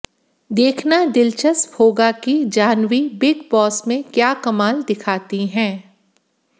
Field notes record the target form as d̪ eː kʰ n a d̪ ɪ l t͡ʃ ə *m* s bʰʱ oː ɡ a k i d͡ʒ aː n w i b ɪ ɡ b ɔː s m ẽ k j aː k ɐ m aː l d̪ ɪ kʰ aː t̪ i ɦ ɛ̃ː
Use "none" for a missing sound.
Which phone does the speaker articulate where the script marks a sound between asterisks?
none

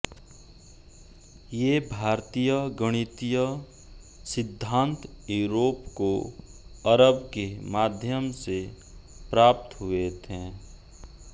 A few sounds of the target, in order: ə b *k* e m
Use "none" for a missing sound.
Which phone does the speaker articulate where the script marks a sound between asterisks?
k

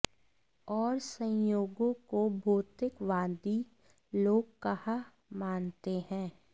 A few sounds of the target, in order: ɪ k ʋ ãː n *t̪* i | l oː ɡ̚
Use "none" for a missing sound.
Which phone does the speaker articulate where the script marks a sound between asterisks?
d̪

